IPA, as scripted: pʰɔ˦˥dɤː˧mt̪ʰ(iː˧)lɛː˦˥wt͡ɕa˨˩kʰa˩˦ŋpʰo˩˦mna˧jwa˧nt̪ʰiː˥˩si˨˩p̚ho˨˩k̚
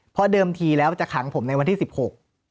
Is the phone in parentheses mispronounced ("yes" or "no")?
no